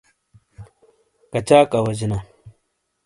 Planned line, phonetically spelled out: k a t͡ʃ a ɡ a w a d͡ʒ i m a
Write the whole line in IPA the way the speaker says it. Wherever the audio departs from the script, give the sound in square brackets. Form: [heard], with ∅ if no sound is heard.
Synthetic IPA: k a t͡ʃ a [k] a w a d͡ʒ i [n] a